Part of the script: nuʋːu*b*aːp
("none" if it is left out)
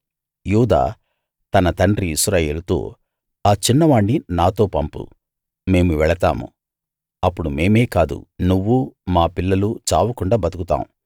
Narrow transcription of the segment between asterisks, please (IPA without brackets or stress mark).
m